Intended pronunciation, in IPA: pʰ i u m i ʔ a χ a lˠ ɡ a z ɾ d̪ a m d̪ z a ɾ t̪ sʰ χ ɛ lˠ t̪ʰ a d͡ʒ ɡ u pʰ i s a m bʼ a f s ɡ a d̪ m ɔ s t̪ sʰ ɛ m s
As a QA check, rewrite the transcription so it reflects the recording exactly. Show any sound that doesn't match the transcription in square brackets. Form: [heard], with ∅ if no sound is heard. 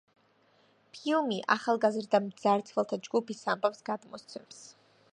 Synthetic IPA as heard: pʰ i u m i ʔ a χ a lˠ ɡ a z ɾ d̪ a m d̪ z a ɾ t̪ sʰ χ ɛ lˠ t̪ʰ a d͡ʒ ɡ u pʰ i s a m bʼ a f s ɡ a d̪ m ɔ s t̪ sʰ ɛ m s